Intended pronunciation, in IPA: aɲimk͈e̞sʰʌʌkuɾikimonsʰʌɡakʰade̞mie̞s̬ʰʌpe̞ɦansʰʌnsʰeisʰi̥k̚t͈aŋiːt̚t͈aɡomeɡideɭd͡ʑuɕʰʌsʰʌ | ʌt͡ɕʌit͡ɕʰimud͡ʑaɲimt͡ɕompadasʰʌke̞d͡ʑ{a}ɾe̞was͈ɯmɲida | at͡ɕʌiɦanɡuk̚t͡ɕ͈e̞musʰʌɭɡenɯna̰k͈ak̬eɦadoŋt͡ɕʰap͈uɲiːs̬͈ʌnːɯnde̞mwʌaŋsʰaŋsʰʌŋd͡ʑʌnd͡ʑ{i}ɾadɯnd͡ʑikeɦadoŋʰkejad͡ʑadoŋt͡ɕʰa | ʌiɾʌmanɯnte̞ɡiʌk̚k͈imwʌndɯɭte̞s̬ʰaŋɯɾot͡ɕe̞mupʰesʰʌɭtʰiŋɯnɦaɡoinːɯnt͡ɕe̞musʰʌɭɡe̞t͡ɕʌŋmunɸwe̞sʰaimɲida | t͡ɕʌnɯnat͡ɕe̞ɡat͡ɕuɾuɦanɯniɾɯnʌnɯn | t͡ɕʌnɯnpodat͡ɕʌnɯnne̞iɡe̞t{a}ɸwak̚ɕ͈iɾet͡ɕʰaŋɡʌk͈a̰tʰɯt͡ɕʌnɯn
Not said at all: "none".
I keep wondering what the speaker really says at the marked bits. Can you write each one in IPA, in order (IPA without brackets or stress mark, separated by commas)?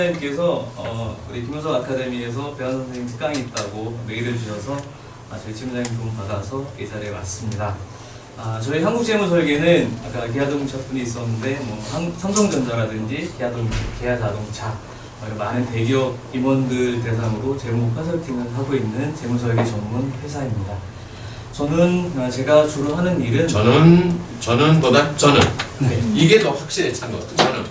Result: a, a, ʌ